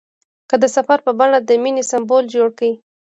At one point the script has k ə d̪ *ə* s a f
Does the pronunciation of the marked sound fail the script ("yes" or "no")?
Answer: no